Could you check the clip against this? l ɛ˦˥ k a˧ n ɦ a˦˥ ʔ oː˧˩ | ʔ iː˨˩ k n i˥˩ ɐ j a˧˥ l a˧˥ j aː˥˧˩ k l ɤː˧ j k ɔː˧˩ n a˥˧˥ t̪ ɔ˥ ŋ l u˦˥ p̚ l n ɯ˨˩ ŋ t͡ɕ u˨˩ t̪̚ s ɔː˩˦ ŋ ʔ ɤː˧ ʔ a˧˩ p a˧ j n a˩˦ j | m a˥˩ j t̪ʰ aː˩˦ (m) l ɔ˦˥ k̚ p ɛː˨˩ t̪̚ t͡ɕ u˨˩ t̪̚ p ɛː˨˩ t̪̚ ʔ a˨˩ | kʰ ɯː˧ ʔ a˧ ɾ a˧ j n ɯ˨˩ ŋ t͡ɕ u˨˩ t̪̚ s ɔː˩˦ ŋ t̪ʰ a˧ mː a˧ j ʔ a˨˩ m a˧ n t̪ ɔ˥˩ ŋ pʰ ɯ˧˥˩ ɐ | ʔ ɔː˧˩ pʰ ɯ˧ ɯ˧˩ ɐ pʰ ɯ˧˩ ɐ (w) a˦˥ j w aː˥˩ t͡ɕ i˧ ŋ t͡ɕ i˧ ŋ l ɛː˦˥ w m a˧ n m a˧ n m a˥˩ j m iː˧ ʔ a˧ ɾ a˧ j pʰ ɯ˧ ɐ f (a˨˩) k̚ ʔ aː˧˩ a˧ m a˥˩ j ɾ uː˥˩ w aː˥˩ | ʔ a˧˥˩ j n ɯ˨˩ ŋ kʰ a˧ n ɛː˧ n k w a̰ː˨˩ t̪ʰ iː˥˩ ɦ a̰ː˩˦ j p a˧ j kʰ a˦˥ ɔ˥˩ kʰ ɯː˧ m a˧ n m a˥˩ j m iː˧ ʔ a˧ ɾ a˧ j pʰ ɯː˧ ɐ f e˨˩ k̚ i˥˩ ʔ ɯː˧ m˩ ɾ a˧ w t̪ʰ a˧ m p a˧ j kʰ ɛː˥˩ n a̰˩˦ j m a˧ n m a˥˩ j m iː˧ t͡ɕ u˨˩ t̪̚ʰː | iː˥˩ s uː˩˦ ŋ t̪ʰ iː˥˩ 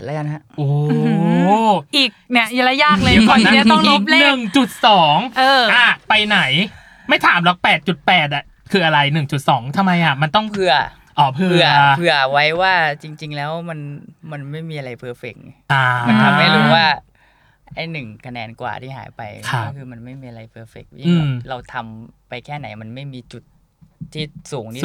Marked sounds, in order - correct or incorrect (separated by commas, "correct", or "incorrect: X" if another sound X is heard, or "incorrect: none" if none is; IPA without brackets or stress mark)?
correct, correct, incorrect: e˨˩